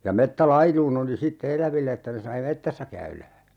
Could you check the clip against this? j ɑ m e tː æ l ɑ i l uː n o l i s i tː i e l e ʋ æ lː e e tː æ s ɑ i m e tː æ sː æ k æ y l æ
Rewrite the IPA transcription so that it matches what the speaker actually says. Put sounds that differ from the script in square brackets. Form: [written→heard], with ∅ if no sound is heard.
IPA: j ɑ m e tː æ l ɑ i l uː n o l i s i tː [i→e] e l [e→æ] ʋ [æ→i] lː e e tː æ s ɑ i m e tː æ sː æ k æ y l æ